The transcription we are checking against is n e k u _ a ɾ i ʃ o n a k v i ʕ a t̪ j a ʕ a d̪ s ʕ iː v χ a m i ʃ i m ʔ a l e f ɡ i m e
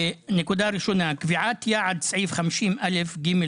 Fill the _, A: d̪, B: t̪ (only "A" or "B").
A